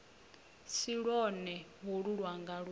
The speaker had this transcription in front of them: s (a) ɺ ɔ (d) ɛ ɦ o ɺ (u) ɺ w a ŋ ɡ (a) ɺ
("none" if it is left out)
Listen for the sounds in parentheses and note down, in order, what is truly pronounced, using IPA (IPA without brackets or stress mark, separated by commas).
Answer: i, n, u, a